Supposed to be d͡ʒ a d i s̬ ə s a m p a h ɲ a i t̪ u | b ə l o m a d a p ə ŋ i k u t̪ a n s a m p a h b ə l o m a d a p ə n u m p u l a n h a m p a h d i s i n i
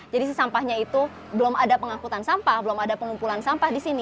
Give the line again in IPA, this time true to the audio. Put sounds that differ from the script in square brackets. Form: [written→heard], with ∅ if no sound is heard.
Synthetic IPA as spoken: d͡ʒ a d i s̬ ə s a m p a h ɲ a i t̪ u | b ə l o m a d a p ə ŋ [i→a] k u t̪ a n s a m p a h b ə l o m a d a p ə [n→ŋ] u m p u l a n [h→s] a m p a h d i s i n i